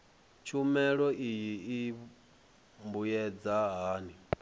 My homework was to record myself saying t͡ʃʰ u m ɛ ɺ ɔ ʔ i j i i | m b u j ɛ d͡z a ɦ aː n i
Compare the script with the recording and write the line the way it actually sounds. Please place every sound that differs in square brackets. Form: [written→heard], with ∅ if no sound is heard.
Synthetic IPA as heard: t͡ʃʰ u m ɛ ɺ ɔ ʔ i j i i | m b u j ɛ d͡z a ɦ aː n i